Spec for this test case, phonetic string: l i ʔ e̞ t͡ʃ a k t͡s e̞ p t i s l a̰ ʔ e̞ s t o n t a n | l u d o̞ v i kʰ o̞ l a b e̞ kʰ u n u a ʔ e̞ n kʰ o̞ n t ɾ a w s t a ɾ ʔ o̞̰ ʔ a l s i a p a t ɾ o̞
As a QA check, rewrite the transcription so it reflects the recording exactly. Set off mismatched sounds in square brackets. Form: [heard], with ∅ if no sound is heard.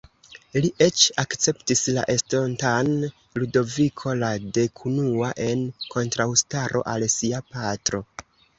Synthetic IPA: l i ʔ e̞ t͡ʃ a k t͡s e̞ p t i s l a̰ ʔ e̞ s t o n t a n | l u d o̞ v i kʰ o̞ l a [d] e̞ kʰ u n u a ʔ e̞ n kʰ o̞ n t ɾ a w s t a ɾ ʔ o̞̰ ʔ a l s i a p a t ɾ o̞

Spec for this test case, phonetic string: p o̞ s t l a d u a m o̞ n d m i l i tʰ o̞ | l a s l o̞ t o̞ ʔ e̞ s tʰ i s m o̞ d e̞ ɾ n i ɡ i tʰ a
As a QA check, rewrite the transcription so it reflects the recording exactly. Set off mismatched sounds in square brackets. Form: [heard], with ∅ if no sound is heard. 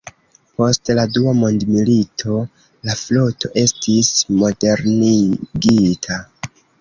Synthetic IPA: p o̞ s t l a d u a m o̞ n d m i l i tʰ o̞ | l a [f] l o̞ t o̞ ʔ e̞ s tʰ i s m o̞ d e̞ ɾ n i ɡ i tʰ a

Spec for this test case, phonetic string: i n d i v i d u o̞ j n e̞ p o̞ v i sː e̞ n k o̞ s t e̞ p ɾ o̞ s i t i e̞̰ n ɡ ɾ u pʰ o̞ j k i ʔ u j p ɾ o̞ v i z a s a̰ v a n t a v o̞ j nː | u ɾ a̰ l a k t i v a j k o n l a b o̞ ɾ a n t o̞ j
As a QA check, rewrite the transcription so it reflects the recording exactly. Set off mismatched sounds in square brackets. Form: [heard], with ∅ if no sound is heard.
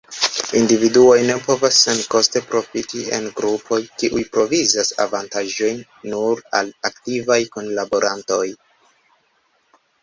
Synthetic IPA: i n d i v i d u o̞ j n e̞ p o̞ v [a] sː e̞ n k o̞ s t e̞ p ɾ o̞ [f] i t i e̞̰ n ɡ ɾ u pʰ o̞ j k i ʔ u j p ɾ o̞ v i z a s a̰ v a n t a [ʒ] o̞ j nː | u ɾ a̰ l a k t i v a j k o n l a b o̞ ɾ a n t o̞ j

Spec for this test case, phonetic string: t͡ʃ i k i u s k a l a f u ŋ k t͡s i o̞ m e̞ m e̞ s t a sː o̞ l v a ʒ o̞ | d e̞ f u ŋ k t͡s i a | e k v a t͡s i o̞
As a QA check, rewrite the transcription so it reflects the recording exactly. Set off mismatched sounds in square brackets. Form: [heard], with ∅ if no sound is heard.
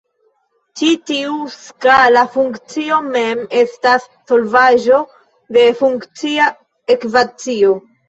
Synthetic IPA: t͡ʃ i [t] i u s k a l a f u ŋ k t͡s i o̞ m e̞ m e̞ s t a sː o̞ l v a ʒ o̞ | d e̞ f u ŋ k t͡s i a | e k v a t͡s i o̞

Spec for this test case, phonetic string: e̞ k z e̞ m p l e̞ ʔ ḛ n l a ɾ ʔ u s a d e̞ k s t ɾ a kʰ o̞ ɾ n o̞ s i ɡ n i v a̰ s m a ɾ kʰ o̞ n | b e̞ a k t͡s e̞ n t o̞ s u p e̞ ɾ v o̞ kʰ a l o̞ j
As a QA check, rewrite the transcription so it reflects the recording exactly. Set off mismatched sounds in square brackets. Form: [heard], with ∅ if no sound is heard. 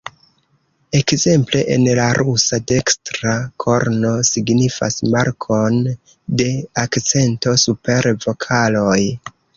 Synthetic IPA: e̞ k z e̞ m p l e̞ ʔ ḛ n l a ɾ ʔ u s a d e̞ k s t ɾ a kʰ o̞ ɾ n o̞ s i ɡ n i [f] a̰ s m a ɾ kʰ o̞ n | [d] e̞ a k t͡s e̞ n t o̞ s u p e̞ ɾ v o̞ kʰ a l o̞ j

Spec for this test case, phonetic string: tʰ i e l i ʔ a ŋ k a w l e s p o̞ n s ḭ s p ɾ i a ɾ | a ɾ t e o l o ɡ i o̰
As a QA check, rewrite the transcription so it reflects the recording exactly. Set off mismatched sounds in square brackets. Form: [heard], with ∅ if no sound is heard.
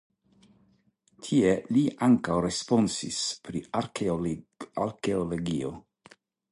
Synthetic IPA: tʰ i e l i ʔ a ŋ k a w [ɾ] e s p o̞ n s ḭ s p ɾ i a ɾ | a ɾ [k] e o l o ɡ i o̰

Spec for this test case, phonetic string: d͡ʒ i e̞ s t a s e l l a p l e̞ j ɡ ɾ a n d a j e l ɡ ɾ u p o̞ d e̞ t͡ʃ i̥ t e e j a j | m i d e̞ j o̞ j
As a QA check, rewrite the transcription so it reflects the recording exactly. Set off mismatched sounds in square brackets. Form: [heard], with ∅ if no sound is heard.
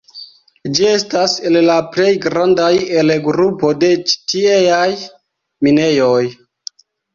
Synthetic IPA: d͡ʒ i e̞ s t a s e l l a p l e̞ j ɡ ɾ a n d a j e l ɡ ɾ u p o̞ d e̞ t͡ʃ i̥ t [i] e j a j | m i [n] e̞ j o̞ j

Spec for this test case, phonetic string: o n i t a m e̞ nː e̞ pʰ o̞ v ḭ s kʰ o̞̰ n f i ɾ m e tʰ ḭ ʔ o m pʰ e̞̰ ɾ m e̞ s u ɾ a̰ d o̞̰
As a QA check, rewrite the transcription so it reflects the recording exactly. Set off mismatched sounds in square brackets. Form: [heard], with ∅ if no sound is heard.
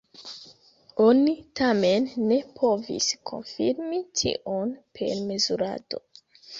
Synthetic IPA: o n i t a m e̞ nː e̞ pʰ o̞ v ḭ s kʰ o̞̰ n f i ɾ m [i] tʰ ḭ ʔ o [n] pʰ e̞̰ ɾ m e̞ [z] u ɾ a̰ d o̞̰

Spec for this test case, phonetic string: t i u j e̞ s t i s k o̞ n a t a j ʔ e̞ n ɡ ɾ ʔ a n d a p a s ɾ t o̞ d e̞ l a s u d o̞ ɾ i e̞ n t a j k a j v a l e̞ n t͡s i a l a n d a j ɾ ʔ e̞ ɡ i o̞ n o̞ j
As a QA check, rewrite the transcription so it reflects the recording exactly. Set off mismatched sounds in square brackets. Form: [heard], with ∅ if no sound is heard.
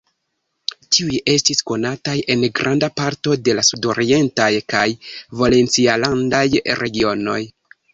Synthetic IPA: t i u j e̞ s t i s k o̞ n a t a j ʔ e̞ n ɡ ɾ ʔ a n d a p a [∅] ɾ t o̞ d e̞ l a s u d o̞ ɾ i e̞ n t a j k a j v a l e̞ n t͡s i a l a n d a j ɾ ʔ e̞ ɡ i o̞ n o̞ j

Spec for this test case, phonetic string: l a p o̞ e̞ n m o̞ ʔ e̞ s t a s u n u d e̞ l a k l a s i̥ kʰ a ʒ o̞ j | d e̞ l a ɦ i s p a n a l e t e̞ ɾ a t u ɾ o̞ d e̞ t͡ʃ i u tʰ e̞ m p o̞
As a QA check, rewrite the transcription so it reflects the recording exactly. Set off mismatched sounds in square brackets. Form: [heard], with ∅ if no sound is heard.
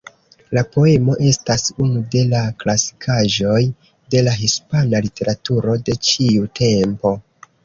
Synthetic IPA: l a p o̞ e̞ [∅] m o̞ ʔ e̞ s t a s u n u d e̞ l a k l a s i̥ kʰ a ʒ o̞ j | d e̞ l a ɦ i s p a n a l [i] t e̞ ɾ a t u ɾ o̞ d e̞ t͡ʃ i u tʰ e̞ m p o̞

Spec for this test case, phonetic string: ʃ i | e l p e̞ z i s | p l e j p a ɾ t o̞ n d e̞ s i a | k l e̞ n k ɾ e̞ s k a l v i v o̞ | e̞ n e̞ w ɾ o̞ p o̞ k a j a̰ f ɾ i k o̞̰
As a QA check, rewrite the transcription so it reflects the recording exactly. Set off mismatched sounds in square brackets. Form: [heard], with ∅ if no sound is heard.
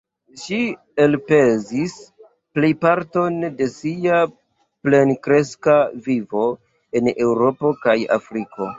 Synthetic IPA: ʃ i | e l p e̞ z i s | p l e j p a ɾ t o̞ n d e̞ s i a | [p] l e̞ n k ɾ e̞ s k a [∅] v i v o̞ | e̞ n e̞ w ɾ o̞ p o̞ k a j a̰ f ɾ i k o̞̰

